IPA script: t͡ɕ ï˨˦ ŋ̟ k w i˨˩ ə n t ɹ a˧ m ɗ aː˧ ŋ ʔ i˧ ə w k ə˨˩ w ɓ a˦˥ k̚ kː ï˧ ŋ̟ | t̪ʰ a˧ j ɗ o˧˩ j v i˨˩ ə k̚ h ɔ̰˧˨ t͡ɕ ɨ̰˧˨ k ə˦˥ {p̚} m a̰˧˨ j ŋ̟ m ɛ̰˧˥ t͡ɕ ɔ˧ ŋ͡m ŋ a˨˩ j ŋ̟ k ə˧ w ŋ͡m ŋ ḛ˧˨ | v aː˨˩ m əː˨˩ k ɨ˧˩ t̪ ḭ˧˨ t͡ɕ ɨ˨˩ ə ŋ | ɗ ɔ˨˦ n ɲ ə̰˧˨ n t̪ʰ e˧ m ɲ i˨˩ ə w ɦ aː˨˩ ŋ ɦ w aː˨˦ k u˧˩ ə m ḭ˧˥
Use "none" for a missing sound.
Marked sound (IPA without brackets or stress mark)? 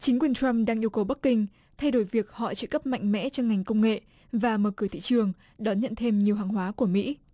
p̚